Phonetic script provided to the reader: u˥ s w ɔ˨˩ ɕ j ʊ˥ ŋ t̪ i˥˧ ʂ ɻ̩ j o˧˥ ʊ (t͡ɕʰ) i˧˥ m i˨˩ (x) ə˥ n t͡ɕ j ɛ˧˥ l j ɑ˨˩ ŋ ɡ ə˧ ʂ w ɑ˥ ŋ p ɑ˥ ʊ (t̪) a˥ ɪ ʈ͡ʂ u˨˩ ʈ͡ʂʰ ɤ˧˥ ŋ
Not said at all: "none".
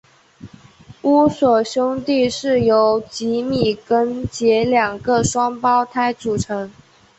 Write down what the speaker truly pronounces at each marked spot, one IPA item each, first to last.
t͡ɕ, k, t̪ʰ

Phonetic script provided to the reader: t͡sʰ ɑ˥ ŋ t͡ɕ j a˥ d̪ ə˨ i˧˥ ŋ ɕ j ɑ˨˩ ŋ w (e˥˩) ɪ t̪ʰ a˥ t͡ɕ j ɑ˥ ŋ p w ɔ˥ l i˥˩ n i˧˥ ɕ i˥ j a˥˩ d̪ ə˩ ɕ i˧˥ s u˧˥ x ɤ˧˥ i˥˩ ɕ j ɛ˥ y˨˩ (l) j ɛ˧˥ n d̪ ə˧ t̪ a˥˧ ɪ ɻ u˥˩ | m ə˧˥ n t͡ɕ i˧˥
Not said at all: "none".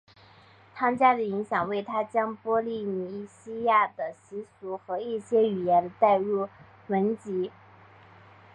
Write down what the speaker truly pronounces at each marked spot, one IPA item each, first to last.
e˥˩, none

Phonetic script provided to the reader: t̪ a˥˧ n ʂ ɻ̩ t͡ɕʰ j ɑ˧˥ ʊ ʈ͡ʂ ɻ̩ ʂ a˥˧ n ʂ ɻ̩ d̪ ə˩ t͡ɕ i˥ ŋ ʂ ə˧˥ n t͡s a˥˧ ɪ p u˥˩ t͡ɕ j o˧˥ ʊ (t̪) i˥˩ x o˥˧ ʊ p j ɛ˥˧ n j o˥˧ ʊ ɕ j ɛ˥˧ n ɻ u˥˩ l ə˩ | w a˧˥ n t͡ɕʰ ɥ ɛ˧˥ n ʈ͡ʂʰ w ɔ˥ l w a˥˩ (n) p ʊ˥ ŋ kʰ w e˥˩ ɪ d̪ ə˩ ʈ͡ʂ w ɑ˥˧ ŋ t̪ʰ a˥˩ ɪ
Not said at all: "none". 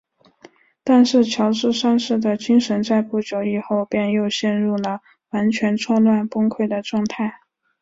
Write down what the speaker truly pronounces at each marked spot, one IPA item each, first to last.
none, n

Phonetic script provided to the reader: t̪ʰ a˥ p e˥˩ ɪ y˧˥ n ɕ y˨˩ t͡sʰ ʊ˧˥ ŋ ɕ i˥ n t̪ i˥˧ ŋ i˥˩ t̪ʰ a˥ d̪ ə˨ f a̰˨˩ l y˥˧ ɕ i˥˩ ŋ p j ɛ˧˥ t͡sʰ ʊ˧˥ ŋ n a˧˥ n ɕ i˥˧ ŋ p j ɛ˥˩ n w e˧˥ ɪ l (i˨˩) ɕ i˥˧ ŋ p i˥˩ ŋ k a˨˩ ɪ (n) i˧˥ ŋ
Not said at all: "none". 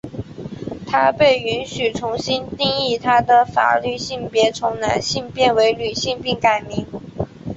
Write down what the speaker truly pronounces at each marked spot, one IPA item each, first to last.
y˨˩, m

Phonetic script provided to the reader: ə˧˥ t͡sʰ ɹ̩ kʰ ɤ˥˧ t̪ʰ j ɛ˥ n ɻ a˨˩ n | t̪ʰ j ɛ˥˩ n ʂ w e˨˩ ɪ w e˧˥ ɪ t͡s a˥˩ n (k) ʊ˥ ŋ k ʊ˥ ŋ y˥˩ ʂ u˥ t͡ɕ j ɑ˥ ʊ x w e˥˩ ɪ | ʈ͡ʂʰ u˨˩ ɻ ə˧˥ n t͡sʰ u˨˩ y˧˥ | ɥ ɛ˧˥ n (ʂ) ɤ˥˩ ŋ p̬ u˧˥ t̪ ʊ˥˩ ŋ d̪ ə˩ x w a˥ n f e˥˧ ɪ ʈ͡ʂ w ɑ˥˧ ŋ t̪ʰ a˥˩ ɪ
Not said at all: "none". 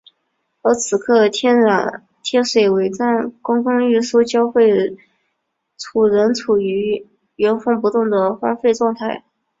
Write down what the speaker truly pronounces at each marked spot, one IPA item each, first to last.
k, f

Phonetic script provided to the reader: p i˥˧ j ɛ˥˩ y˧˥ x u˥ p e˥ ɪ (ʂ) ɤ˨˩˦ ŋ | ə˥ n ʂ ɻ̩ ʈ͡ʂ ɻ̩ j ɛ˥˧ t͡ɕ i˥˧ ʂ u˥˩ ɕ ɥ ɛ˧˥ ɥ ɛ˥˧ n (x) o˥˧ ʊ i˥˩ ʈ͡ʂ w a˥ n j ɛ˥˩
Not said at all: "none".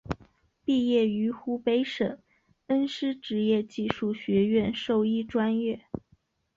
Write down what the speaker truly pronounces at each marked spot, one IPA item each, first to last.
ʂ, ʂ

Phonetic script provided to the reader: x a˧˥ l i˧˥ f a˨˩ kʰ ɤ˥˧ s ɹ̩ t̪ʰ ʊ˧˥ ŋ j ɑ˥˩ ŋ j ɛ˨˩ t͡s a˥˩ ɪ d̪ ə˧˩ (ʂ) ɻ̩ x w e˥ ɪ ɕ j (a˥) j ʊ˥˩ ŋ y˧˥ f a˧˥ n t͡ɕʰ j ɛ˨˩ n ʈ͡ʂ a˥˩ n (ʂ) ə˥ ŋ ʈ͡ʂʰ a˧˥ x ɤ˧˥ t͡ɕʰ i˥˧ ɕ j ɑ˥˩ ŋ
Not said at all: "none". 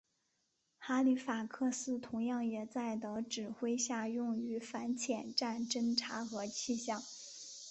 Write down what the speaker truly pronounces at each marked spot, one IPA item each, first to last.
ʈ͡ʂ, a˥˧, ʈ͡ʂ

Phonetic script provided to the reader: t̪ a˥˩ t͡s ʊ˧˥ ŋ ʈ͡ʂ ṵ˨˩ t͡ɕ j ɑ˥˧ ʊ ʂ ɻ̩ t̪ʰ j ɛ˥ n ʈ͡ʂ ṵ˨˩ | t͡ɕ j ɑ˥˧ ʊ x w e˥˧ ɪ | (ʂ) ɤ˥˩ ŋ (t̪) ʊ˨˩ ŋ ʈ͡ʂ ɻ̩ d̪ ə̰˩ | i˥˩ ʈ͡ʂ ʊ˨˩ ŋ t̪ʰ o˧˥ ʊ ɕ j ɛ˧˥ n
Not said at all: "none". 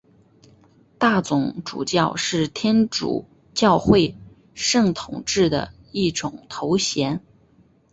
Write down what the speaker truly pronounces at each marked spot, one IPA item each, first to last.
ʂ, t̪ʰ

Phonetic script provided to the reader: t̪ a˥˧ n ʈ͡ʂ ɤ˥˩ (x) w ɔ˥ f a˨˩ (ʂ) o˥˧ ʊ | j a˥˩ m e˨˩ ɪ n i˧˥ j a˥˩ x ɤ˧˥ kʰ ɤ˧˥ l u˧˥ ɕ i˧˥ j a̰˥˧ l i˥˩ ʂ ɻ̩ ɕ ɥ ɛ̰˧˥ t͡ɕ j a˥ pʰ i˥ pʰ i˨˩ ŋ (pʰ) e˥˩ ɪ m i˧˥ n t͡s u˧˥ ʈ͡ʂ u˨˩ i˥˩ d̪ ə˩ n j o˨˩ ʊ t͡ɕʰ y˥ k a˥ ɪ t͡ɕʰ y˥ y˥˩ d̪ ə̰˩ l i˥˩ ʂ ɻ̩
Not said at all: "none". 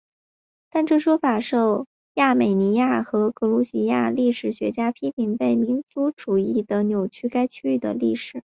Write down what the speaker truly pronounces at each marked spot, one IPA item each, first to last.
ʂ, ʂ, p

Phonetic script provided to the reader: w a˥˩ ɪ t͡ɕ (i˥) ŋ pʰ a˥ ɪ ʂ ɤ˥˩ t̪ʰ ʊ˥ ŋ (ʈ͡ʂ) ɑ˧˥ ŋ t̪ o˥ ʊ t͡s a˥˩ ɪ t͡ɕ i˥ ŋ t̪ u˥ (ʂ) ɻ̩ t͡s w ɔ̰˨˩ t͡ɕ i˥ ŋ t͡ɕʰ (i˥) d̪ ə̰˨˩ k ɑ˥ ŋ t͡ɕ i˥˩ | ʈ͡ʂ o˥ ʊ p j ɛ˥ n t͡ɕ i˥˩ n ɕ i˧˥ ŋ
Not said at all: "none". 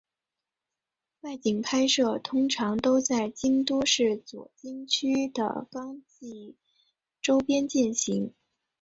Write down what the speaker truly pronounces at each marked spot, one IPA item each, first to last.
i˨˩, ʈ͡ʂʰ, ʂ, y˥

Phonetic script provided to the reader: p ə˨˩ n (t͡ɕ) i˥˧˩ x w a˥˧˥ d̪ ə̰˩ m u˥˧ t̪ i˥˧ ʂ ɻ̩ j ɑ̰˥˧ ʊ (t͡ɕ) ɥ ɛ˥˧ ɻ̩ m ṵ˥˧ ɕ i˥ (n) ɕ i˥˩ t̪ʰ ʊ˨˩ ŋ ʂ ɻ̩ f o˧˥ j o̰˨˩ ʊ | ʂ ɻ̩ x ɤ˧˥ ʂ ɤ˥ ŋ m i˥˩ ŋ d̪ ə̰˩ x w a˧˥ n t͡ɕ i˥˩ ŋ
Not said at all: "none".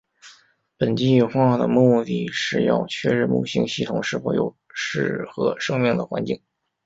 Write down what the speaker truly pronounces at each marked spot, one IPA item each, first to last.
t͡ɕ, t͡ɕʰ, ŋ

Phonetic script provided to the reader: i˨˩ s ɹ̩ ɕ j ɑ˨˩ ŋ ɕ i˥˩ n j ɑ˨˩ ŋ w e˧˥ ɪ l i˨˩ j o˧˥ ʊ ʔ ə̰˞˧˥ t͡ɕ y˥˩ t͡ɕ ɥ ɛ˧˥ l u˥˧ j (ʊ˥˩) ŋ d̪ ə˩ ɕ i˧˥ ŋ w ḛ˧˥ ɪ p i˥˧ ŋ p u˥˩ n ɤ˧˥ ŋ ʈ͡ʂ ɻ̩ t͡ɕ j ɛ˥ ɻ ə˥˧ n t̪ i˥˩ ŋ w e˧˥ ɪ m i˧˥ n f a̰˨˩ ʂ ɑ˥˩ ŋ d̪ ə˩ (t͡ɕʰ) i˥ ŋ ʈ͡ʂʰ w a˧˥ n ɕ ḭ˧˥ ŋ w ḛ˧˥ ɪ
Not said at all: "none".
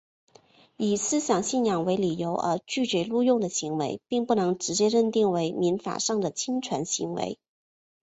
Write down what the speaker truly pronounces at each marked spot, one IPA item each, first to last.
ʊ˥˩, t͡ɕʰ

